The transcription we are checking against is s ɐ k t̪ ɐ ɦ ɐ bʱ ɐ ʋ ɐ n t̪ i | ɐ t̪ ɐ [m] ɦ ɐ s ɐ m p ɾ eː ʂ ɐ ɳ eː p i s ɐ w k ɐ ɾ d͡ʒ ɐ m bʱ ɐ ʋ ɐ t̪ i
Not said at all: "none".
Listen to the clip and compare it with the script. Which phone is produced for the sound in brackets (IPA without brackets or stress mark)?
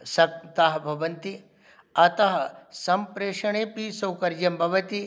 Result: none